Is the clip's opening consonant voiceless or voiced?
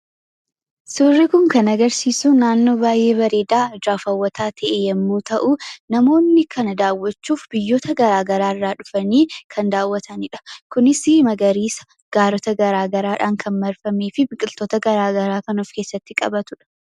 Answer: voiceless